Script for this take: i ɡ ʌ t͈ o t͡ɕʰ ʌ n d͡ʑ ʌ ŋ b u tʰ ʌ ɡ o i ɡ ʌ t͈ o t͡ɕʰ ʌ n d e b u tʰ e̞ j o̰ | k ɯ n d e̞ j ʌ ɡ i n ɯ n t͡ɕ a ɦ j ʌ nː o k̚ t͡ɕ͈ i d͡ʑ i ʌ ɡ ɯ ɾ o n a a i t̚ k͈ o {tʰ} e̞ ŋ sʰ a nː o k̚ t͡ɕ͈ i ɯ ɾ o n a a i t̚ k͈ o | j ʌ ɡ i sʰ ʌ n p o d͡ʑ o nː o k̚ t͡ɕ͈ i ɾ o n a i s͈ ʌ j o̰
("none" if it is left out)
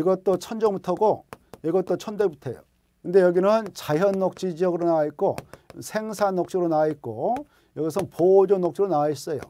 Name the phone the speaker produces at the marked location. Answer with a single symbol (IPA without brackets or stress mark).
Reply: sʰ